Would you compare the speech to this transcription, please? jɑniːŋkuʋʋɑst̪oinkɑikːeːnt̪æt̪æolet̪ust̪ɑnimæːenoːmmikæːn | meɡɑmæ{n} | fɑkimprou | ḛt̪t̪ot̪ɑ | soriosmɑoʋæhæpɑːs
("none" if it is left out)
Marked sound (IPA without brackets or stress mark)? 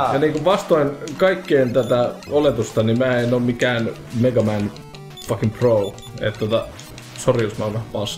n